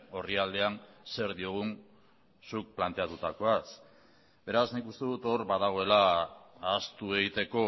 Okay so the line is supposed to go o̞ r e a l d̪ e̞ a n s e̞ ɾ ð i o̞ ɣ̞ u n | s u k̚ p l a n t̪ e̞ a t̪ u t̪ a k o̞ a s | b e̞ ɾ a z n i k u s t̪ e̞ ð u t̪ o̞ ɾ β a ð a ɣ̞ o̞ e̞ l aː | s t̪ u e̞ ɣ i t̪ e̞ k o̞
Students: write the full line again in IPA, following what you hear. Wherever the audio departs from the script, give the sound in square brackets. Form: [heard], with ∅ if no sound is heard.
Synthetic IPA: o̞ r [i] a l d̪ e̞ a n s e̞ ɾ ð i o̞ ɣ̞ u n | s u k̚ p l a n t̪ e̞ a t̪ u t̪ a k o̞ a s | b e̞ ɾ a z n i k u s t̪ e̞ ð u t̪ o̞ ɾ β a ð a ɣ̞ o̞ e̞ l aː | s t̪ u e̞ ɣ i t̪ e̞ k o̞